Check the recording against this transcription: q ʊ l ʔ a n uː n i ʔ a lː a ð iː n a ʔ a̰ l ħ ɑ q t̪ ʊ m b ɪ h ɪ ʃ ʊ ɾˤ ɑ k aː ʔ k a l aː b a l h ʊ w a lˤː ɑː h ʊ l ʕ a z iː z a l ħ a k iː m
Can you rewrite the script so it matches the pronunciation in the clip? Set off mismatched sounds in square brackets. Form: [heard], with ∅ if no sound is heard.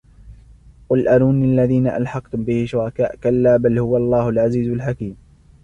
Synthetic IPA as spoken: q ʊ l ʔ a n uː n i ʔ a lː a ð iː n a ʔ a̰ l ħ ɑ q t̪ ʊ m b ɪ h ɪ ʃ ʊ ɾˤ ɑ k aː ʔ k a [lː] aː b a l h ʊ w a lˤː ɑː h ʊ l ʕ a z iː z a l ħ a k iː m